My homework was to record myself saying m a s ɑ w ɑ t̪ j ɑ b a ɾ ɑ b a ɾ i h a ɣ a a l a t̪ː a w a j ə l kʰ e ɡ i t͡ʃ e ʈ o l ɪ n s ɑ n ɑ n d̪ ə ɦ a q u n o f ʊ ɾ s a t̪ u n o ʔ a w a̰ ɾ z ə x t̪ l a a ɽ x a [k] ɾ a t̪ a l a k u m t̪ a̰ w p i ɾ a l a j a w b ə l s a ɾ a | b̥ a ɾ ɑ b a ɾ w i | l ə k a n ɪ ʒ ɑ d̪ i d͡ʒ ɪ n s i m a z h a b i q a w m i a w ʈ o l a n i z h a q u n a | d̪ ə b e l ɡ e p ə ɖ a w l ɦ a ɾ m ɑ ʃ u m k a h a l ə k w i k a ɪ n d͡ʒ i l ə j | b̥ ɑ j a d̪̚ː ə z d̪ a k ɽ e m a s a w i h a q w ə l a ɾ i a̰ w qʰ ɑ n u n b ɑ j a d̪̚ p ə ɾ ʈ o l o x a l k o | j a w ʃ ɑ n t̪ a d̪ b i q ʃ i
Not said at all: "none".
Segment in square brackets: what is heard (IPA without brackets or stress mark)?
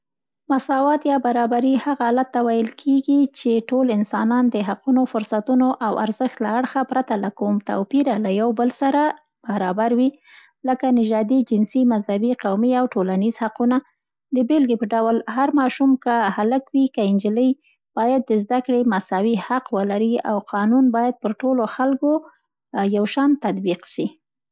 p